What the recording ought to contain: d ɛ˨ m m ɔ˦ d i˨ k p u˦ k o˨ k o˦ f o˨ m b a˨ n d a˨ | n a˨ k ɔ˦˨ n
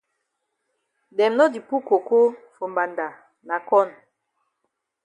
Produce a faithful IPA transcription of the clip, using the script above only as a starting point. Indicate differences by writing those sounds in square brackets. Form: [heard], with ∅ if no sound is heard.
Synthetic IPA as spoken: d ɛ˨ m [n] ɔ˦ d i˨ [∅] p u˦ k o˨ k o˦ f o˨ m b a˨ n d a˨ | n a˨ k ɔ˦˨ n